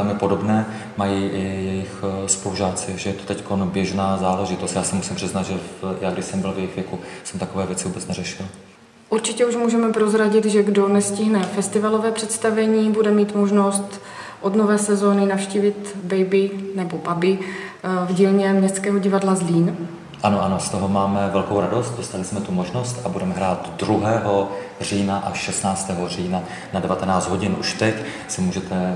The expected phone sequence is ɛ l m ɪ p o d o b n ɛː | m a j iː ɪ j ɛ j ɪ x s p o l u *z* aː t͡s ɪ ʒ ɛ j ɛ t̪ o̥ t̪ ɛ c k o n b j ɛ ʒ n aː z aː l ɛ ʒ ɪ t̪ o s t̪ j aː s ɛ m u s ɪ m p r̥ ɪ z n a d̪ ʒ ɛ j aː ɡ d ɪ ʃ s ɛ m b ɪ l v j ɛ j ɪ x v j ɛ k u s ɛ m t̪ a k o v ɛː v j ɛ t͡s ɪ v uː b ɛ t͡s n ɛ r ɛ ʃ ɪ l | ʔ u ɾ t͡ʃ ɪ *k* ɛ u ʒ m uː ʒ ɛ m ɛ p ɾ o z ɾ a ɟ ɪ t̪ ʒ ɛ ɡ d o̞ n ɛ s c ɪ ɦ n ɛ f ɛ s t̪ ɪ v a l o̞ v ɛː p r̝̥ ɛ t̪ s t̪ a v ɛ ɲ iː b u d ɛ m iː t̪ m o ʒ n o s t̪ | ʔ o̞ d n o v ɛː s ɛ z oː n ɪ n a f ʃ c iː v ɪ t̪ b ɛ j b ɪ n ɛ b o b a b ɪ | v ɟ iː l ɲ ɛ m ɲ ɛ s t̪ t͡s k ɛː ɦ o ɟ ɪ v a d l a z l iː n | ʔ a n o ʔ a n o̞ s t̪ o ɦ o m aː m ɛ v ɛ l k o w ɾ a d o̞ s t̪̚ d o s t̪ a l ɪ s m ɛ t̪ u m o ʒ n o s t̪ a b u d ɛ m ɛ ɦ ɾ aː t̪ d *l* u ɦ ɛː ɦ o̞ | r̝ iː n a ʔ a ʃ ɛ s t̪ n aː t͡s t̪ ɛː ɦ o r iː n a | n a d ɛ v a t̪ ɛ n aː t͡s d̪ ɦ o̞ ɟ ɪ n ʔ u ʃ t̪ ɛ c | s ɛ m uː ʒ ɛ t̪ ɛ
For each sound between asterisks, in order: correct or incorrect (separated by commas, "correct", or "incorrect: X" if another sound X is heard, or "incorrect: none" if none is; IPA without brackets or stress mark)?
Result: incorrect: ʒ, incorrect: c, incorrect: ɾ